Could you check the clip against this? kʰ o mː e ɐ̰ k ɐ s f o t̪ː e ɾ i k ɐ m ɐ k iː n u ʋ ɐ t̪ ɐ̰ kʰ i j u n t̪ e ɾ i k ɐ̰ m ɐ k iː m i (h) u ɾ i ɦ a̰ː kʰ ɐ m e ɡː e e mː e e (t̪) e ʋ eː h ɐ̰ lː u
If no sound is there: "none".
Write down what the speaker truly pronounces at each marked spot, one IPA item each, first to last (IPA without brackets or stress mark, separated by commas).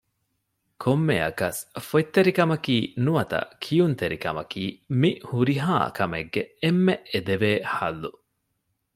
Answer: h, d̪